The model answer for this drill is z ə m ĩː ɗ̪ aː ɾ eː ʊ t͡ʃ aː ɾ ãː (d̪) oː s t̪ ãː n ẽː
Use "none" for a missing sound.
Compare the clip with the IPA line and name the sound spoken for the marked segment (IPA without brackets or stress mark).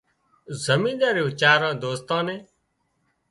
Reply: d̪